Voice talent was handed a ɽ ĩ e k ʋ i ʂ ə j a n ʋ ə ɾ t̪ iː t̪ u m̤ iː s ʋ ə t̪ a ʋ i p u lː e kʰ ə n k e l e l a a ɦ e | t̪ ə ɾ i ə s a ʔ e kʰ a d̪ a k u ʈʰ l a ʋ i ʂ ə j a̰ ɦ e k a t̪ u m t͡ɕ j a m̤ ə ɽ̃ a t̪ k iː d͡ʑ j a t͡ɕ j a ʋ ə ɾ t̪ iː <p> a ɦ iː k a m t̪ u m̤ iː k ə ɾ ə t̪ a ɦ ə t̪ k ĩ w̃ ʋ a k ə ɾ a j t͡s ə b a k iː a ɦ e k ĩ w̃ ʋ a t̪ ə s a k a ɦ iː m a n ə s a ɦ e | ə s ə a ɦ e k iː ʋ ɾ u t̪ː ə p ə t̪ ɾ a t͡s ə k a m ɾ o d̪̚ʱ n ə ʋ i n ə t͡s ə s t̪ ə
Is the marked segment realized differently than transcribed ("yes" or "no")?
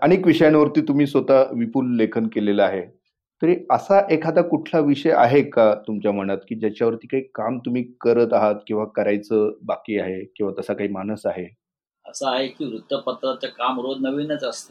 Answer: yes